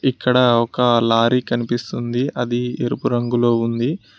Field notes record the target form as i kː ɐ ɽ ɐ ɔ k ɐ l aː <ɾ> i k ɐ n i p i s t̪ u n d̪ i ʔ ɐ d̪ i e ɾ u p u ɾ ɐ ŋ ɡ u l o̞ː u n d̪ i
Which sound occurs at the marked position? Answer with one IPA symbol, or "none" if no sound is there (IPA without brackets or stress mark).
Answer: ɾ